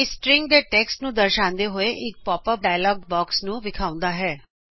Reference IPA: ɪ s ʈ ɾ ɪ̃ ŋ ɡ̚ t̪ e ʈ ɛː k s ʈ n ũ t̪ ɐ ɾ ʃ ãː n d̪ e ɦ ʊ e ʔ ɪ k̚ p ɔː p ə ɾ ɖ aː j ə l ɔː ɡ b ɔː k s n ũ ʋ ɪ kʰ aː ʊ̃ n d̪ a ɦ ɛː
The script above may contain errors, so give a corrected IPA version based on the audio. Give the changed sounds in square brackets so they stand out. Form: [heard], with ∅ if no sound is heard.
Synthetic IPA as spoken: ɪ s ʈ ɾ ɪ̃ ŋ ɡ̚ [d̪] e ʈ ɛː k s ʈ n ũ [d̪] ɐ ɾ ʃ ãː n d̪ e ɦ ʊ e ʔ ɪ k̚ p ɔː p ə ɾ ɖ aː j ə l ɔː ɡ b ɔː k s n ũ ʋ ɪ kʰ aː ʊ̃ n d̪ a ɦ ɛː